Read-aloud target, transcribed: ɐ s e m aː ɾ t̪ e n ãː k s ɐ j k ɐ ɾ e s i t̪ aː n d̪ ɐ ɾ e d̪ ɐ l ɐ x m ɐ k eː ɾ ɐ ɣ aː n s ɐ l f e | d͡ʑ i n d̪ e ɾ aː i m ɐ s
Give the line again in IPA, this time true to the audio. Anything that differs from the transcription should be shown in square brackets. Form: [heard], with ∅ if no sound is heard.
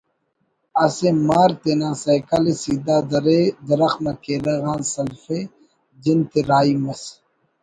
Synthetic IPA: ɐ s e m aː ɾ t̪ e n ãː [∅] s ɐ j k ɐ [l] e s i [d̪] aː [∅] d̪ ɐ ɾ e d̪ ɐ [ɾ] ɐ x m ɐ k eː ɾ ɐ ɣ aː n s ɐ l f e | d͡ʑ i n [t̪] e ɾ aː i m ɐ s